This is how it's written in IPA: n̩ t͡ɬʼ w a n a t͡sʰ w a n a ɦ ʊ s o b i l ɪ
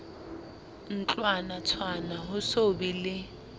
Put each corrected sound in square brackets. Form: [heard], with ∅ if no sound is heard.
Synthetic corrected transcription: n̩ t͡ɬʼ w a n a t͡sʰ w a n a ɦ ʊ s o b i l ɪ